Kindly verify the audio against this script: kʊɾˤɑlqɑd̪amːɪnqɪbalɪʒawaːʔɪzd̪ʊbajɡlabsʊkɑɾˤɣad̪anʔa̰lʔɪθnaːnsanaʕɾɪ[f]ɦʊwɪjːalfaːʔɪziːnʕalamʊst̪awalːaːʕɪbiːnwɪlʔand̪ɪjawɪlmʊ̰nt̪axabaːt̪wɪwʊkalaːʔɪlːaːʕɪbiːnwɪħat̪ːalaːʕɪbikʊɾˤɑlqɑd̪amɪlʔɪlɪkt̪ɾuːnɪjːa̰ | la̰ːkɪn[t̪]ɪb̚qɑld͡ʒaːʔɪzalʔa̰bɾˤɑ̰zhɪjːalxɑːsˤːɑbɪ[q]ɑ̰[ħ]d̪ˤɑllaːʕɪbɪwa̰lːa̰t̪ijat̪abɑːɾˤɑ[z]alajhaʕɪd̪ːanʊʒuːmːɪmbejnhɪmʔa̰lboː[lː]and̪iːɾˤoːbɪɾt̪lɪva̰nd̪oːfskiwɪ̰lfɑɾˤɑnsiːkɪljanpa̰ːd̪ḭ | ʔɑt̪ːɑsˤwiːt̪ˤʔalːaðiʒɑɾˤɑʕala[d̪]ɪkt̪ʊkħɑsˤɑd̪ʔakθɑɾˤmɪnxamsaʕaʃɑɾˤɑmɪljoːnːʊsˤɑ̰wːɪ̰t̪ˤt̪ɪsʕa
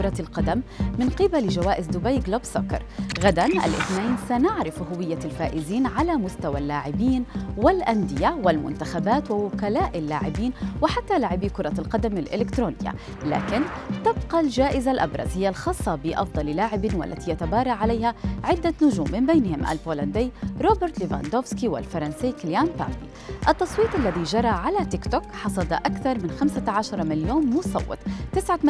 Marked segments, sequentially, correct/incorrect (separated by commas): correct, correct, incorrect, incorrect, incorrect, incorrect, incorrect